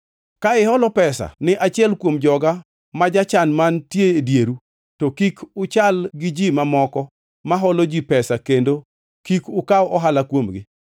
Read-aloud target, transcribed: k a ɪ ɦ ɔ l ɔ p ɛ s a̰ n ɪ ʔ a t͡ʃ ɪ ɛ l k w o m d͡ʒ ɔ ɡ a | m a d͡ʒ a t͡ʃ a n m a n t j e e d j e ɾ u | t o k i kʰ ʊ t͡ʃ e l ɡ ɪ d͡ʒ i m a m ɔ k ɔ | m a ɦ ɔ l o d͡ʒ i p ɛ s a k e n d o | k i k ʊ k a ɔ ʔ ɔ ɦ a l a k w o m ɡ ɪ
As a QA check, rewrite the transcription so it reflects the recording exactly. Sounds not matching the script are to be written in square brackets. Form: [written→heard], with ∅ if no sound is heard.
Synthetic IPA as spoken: k a ɪ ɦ ɔ l ɔ p ɛ s a̰ n ɪ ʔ a t͡ʃ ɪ ɛ l k w o m d͡ʒ ɔ ɡ a | m a d͡ʒ a t͡ʃ a n m a n t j e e d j e ɾ u | t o k i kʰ ʊ t͡ʃ [e→a] l ɡ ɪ d͡ʒ i m a m ɔ k ɔ | m a ɦ ɔ l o d͡ʒ i p ɛ s a k e n d o | k i k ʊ k a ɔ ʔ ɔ ɦ a l a k w o m ɡ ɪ